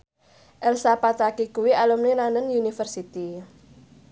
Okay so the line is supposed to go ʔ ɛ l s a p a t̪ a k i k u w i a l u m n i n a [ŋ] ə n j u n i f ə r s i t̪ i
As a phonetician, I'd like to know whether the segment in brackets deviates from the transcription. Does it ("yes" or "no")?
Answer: yes